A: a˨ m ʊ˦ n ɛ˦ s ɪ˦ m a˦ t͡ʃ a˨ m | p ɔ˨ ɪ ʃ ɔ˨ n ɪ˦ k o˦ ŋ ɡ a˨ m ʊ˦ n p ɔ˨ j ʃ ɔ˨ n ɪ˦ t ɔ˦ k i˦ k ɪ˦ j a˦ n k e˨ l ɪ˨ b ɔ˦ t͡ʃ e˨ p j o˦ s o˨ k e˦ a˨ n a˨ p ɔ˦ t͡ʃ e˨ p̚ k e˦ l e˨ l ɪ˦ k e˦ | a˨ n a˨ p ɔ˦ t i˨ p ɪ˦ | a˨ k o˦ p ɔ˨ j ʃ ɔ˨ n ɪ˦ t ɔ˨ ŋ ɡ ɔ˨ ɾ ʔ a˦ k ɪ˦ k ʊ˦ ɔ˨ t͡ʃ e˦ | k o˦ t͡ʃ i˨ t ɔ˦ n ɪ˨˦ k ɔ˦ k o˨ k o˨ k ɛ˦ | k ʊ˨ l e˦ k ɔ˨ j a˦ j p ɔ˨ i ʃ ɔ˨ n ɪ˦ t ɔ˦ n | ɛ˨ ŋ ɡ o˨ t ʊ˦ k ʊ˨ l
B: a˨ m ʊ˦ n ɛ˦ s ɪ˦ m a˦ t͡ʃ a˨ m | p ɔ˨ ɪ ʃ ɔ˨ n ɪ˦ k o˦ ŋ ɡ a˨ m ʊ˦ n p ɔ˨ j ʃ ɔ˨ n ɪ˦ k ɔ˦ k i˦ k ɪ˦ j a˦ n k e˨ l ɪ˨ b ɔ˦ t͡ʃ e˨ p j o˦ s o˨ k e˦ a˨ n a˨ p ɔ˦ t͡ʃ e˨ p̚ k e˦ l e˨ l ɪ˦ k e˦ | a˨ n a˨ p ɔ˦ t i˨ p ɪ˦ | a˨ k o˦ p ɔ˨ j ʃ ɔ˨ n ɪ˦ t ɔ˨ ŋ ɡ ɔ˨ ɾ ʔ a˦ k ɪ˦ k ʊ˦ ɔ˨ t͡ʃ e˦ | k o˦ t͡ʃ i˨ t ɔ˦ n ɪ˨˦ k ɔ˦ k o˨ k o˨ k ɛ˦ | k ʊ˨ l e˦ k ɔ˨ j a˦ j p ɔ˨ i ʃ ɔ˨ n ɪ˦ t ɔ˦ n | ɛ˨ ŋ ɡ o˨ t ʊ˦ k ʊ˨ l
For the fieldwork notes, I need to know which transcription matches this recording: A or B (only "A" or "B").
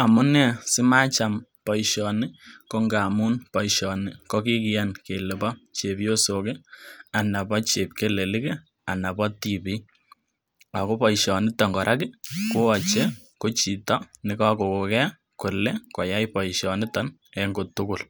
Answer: B